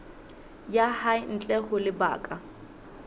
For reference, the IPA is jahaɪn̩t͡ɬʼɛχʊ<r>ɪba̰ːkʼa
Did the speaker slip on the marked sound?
yes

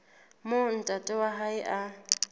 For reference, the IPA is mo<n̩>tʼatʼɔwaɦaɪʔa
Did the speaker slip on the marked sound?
no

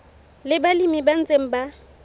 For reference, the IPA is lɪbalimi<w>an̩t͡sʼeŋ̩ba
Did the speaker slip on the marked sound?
yes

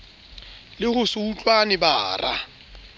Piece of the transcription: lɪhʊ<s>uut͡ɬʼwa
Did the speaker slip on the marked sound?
no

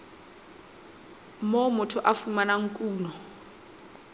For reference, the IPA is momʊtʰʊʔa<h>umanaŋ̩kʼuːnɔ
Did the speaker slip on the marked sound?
yes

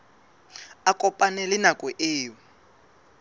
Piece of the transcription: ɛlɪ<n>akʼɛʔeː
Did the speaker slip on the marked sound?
no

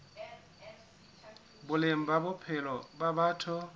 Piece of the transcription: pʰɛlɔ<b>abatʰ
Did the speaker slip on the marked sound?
no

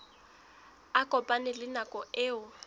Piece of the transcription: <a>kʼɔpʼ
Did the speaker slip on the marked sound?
no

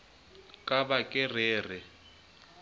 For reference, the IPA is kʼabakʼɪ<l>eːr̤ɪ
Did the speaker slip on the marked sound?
yes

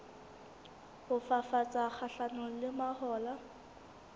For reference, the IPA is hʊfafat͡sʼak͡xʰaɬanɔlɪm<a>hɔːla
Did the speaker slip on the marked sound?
no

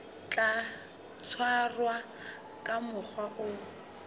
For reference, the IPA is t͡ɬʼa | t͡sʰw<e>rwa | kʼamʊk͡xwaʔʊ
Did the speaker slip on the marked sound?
yes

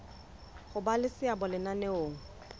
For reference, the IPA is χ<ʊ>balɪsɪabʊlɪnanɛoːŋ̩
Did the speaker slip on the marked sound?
no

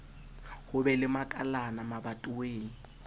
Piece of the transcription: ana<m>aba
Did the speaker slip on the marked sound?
no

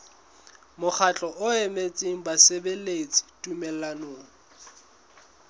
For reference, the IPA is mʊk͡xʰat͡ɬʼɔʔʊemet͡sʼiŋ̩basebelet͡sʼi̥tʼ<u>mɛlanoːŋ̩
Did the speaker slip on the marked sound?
no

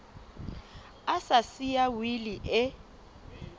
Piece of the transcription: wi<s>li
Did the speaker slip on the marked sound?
yes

